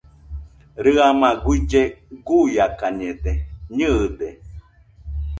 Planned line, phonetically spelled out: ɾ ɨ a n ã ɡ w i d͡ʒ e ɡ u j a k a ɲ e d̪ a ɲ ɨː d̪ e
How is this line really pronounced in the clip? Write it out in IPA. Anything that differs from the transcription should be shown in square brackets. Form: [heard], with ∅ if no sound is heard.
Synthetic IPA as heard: ɾ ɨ a [m] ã ɡ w i d͡ʒ e ɡ u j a k a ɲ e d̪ [e] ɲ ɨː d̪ e